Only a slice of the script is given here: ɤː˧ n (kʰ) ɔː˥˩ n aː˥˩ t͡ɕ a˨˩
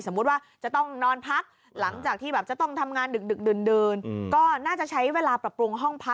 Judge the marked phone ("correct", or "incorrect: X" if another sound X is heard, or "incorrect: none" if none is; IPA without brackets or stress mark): incorrect: k